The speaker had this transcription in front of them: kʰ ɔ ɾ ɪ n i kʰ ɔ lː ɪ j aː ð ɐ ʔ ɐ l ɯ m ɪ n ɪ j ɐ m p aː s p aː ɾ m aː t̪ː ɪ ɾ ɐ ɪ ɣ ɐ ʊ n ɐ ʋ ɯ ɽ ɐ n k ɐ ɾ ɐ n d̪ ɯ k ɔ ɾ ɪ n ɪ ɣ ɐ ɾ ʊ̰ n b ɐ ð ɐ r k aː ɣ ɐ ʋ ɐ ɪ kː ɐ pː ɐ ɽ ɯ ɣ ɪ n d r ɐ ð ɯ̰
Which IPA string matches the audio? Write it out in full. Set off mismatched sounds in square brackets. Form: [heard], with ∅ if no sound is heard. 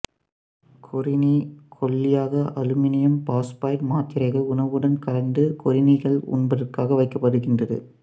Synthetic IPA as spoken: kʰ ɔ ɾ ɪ n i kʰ ɔ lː ɪ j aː [ɣ] ɐ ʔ ɐ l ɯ m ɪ n ɪ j ɐ m p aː s p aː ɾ m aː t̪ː ɪ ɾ ɐ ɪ ɣ ɐ ʊ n ɐ ʋ ɯ ɽ ɐ n k ɐ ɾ ɐ n d̪ ɯ k ɔ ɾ ɪ n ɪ ɣ ɐ [ɭ] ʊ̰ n b ɐ ð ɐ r k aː ɣ ɐ ʋ ɐ ɪ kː ɐ pː ɐ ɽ ɯ ɣ ɪ n d r ɐ ð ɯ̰